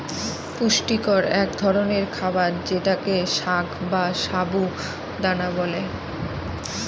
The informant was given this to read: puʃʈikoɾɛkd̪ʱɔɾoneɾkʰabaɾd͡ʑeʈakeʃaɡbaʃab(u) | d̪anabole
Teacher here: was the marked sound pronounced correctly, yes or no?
yes